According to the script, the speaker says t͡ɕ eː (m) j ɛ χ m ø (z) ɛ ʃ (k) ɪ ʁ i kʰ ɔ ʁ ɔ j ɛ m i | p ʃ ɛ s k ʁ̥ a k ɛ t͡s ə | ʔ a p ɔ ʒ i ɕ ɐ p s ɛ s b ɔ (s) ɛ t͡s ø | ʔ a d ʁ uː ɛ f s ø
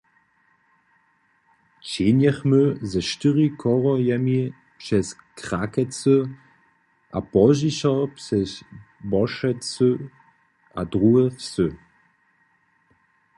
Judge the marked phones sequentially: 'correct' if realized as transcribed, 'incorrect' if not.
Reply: incorrect: n, correct, incorrect: t, incorrect: ʃ

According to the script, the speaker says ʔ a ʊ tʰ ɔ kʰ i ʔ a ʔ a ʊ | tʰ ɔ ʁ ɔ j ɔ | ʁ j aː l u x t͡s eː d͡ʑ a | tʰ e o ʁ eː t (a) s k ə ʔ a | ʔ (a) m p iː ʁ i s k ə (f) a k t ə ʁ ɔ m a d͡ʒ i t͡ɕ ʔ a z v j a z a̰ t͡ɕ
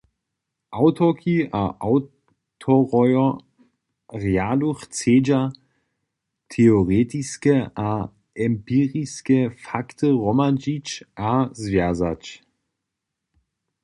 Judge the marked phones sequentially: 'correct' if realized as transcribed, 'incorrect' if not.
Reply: incorrect: i, incorrect: ɛ, correct

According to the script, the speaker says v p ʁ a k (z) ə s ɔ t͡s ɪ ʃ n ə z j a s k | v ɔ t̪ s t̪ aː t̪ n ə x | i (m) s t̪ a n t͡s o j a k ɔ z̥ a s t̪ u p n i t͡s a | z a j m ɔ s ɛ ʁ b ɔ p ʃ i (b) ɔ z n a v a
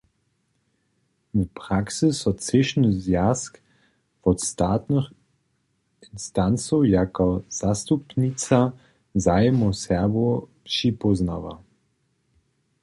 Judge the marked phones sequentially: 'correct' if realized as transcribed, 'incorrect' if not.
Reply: incorrect: s, incorrect: n, incorrect: p

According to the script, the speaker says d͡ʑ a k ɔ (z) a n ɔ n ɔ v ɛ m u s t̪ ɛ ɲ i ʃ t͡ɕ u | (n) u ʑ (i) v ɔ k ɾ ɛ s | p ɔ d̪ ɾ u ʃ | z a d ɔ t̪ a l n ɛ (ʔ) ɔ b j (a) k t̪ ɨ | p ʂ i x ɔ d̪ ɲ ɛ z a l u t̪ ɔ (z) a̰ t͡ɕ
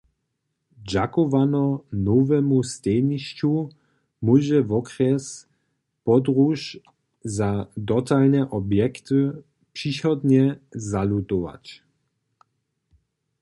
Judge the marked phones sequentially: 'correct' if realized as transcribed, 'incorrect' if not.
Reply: incorrect: v, incorrect: m, incorrect: ɛ, correct, incorrect: ɛ, incorrect: v

